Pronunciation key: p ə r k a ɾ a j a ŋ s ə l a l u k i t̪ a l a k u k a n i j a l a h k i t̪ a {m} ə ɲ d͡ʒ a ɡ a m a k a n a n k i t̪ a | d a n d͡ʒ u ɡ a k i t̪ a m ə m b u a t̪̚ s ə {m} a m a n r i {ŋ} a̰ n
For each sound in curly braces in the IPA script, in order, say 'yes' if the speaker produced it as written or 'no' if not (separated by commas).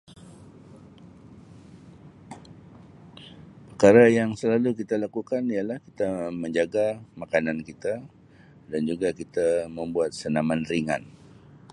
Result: yes, no, yes